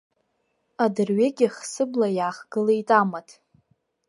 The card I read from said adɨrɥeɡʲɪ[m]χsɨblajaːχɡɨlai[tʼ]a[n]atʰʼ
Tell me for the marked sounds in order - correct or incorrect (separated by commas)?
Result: incorrect, correct, incorrect